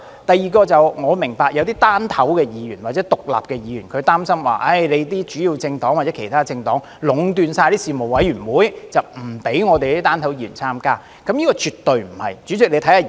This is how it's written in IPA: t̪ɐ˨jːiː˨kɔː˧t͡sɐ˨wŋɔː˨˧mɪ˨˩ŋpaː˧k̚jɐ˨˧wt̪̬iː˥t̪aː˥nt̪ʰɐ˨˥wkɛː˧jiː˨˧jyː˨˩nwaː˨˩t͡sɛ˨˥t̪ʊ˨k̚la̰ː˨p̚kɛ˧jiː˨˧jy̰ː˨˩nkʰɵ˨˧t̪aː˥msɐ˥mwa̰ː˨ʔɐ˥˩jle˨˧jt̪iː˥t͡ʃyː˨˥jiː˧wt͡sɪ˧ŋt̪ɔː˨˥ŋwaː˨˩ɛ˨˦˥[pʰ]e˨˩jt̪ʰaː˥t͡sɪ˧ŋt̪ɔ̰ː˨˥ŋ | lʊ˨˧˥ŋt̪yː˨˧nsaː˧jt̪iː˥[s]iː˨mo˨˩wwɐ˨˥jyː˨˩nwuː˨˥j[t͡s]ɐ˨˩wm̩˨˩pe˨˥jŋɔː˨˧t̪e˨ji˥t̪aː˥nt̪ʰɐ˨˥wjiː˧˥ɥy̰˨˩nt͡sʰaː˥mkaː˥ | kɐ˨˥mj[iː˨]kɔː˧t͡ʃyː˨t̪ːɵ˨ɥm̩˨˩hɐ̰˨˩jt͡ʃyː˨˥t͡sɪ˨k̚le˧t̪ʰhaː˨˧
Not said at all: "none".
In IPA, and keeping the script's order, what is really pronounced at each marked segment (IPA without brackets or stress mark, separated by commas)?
kʰ, s, t͡s, iː˥